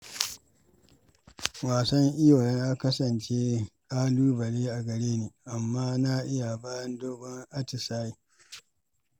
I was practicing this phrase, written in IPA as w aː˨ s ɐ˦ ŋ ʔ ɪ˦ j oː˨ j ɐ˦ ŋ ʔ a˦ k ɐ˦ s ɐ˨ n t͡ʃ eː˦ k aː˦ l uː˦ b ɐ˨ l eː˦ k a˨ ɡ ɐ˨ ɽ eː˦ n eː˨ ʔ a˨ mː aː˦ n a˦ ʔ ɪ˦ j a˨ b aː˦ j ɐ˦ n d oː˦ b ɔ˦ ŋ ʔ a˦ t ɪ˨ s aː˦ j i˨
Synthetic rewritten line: w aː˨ s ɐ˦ ŋ ʔ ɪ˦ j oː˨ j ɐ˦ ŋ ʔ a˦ k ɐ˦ s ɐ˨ n t͡ʃ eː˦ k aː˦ l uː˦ b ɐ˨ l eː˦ ʔ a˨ ɡ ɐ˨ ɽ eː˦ n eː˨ ʔ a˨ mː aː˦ n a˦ ʔ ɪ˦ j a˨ b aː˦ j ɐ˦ n d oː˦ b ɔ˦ ŋ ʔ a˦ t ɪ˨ s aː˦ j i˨